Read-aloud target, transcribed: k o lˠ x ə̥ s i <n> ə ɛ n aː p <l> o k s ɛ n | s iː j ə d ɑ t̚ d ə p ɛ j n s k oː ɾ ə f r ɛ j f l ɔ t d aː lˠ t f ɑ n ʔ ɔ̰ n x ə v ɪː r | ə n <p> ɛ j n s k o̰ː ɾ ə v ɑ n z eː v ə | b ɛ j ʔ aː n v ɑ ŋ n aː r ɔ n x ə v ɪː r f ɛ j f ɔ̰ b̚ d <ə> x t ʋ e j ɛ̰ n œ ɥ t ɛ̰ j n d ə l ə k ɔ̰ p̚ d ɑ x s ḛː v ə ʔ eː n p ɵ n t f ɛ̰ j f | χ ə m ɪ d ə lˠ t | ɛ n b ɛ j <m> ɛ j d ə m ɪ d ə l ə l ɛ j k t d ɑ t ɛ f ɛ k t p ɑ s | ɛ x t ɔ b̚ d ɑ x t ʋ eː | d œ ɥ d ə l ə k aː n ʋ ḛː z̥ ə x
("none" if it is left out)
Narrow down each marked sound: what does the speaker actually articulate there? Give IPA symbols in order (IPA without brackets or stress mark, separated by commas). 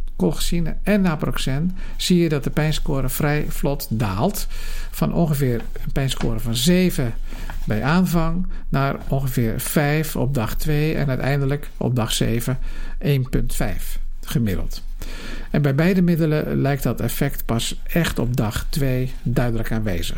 n, r, p, ɑ, b